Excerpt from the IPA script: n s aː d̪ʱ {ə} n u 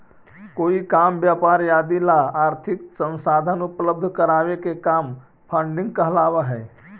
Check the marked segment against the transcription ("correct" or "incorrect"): correct